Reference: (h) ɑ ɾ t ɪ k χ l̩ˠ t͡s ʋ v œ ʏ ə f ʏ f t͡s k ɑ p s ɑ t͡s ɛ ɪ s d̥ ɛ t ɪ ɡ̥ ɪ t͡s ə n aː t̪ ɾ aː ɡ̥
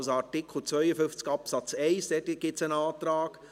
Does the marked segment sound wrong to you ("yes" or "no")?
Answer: yes